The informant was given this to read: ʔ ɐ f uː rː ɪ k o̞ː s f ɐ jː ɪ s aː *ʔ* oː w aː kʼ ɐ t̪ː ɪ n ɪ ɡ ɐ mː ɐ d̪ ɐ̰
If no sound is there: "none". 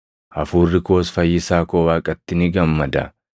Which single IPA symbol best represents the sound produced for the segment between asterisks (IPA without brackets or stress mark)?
k